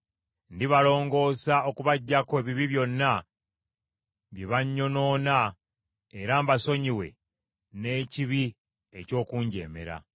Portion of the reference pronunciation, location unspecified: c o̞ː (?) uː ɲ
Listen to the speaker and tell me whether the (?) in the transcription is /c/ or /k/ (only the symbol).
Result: k